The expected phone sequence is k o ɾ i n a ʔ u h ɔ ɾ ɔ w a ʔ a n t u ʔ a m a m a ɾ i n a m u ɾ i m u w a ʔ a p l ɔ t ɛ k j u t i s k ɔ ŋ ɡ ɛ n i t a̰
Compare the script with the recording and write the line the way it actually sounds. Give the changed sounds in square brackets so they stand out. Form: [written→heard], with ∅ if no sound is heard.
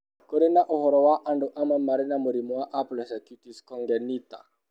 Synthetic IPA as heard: k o ɾ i n a ʔ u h ɔ ɾ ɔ w a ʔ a n [t→d] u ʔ a m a m a ɾ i n a m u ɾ i m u w a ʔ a p l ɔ [t→s] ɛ k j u t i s k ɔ ŋ ɡ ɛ n i t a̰

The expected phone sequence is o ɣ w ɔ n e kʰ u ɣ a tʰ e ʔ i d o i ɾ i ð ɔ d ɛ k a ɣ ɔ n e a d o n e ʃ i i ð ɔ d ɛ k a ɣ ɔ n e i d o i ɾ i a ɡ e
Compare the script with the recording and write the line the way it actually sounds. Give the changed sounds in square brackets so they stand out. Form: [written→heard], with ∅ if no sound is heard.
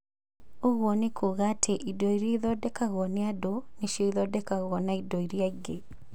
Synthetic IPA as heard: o ɣ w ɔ n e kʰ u ɣ a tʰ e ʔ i d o i ɾ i ð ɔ d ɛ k a ɣ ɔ n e a d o n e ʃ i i ð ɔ d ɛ k a ɣ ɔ n [e→a] i d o i ɾ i a ɡ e

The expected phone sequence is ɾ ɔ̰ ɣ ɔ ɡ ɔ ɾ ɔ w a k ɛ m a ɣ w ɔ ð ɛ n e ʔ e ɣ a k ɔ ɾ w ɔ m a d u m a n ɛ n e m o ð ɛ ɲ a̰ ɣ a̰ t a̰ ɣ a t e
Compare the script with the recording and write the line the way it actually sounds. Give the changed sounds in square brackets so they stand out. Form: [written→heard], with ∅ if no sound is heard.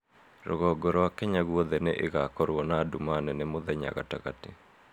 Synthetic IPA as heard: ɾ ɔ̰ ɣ ɔ ɡ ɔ ɾ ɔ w a k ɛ [m→ɲ] a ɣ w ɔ ð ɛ n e ʔ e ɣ a k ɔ ɾ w ɔ [m→n] a d u m a n ɛ n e m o ð ɛ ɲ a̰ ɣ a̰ t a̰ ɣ a t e

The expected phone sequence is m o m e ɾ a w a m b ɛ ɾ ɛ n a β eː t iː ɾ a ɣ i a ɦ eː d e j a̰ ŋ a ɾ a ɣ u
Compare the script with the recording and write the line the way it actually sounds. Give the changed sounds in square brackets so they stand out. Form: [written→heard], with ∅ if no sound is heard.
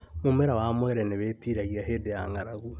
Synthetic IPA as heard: m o m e ɾ a w a m [b→w] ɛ ɾ ɛ n [a→e] β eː t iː ɾ a ɣ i a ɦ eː d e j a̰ ŋ a ɾ a ɣ u

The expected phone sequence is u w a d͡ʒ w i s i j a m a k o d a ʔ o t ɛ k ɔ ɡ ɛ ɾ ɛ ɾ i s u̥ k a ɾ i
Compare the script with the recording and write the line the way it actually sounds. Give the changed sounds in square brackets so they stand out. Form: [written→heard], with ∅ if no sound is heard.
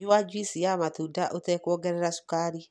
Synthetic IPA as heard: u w a d͡ʒ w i s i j a m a [k→t] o d a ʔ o t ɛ k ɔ ɡ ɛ ɾ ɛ ɾ [i→a] s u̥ k a ɾ i

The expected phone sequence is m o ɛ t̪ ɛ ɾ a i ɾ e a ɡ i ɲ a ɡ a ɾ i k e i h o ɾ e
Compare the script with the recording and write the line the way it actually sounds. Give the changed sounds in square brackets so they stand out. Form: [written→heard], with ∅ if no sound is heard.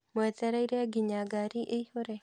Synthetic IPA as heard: m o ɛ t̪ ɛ ɾ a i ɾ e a ɡ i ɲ a ɡ a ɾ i [k→ʔ] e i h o ɾ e

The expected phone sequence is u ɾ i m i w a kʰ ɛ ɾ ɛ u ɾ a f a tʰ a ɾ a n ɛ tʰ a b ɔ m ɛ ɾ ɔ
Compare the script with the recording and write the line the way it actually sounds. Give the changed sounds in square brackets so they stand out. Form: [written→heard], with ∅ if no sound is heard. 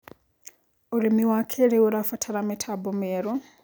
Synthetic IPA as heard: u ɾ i m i w a kʰ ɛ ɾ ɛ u ɾ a f a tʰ a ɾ a [n→m] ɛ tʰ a b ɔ m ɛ ɾ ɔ

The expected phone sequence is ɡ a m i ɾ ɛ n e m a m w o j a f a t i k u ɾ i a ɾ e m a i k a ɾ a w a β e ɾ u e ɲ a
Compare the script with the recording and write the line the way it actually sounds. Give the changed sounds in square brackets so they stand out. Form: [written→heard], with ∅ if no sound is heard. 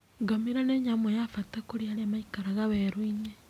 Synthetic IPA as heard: ɡ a m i ɾ [ɛ→a] n e [m→ɲ] a m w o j a f a t [i→a] k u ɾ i a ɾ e m a i k a ɾ a [w→ɣ] a β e ɾ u [e→i] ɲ [a→e]

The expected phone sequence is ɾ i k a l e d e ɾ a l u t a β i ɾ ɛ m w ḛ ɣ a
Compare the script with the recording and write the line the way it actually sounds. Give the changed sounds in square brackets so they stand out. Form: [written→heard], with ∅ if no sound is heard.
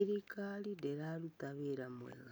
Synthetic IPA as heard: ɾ i k a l [e→i] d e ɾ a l u t a β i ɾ [ɛ→a] m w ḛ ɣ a

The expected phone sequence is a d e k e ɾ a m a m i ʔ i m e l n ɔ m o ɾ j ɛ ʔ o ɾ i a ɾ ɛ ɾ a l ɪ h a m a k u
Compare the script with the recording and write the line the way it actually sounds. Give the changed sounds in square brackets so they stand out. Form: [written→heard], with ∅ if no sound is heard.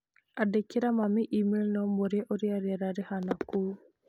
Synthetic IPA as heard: a d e k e ɾ a m a m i ʔ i m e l n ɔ m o ɾ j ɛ ʔ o ɾ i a ɾ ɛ ɾ a [l→ɾ] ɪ h a [m→n] a k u

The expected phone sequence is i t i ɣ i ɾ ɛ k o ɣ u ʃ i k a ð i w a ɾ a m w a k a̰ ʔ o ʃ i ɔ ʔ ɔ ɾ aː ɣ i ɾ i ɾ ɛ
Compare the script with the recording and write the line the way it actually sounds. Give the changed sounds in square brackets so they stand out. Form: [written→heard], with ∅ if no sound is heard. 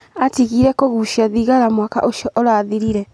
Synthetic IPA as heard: [i→a] t i ɣ i ɾ ɛ k o ɣ u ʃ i [k→∅] a ð i [w→ɣ] a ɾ a m w a k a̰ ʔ o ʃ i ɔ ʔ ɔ ɾ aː [ɣ→ð] i ɾ i ɾ ɛ

